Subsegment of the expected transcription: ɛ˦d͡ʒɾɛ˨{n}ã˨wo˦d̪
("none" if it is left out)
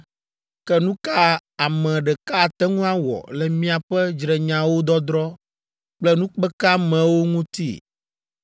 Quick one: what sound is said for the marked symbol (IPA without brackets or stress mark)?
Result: ɲ